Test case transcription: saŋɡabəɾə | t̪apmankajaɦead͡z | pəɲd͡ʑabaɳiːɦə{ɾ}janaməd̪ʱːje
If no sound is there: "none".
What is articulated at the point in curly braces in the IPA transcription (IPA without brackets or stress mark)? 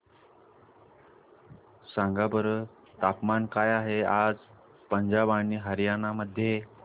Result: ɾ